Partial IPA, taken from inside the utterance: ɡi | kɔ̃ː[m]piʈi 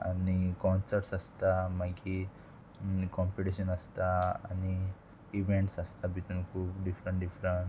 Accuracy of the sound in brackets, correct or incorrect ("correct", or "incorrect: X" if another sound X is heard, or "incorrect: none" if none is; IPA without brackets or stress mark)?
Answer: correct